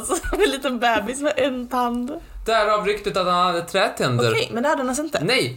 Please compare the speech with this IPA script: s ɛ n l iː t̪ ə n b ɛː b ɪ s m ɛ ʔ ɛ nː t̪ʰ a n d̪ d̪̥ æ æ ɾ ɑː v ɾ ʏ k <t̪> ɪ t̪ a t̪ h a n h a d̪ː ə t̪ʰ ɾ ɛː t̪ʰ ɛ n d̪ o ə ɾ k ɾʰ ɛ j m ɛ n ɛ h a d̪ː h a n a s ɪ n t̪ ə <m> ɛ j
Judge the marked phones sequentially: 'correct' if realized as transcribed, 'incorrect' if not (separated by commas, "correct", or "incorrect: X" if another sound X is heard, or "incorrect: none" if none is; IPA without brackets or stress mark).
correct, incorrect: n